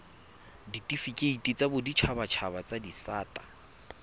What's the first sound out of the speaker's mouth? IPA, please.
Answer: d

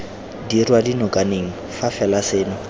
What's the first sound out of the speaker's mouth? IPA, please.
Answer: d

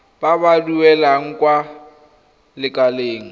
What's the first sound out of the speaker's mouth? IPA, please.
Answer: b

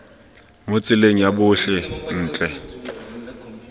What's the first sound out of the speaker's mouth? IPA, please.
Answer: m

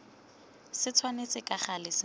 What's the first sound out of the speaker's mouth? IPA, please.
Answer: s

